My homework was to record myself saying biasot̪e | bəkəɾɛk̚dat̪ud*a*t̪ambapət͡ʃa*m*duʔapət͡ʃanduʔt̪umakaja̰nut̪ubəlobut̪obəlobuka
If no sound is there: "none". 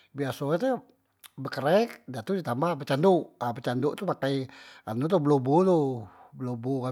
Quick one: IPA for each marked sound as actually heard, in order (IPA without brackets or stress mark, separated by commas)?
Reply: i, n